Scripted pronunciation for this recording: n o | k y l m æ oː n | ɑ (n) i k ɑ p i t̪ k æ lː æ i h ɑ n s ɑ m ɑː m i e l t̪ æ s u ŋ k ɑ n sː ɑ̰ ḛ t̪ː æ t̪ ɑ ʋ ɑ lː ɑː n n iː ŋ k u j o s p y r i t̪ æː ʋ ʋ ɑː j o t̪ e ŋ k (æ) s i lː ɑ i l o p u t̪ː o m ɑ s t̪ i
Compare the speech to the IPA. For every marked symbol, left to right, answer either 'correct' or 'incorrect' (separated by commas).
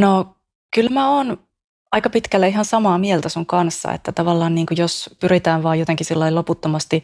incorrect, incorrect